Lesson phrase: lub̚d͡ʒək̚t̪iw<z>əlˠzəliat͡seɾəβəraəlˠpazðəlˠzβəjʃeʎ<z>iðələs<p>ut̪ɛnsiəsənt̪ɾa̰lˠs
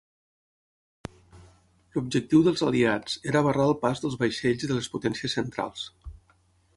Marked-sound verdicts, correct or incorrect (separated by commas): incorrect, correct, correct